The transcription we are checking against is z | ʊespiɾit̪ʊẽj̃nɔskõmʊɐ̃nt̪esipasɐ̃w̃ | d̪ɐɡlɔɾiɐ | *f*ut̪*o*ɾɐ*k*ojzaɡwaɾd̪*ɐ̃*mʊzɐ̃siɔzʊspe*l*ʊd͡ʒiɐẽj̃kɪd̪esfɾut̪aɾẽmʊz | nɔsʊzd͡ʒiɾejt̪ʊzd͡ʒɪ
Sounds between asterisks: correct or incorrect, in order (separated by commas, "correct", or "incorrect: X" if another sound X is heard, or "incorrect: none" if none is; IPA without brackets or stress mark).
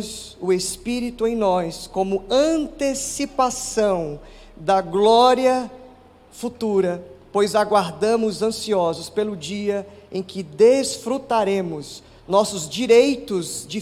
correct, incorrect: u, incorrect: p, correct, correct